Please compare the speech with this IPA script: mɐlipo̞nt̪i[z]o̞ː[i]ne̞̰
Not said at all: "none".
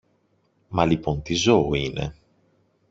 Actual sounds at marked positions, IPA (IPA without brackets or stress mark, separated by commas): z, i